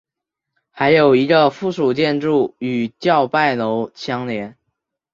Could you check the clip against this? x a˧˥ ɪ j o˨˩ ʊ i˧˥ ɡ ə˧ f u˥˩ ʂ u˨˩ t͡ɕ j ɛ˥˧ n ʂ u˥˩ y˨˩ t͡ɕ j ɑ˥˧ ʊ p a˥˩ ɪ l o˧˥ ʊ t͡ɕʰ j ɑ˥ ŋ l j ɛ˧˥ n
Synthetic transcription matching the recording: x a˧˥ ɪ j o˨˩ ʊ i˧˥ ɡ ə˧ f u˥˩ ʂ u˨˩ t͡ɕ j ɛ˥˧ n ʈ͡ʂ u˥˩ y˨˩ t͡ɕ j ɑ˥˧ ʊ p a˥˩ ɪ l o˧˥ ʊ t͡ɕʰ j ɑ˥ ŋ l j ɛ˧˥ n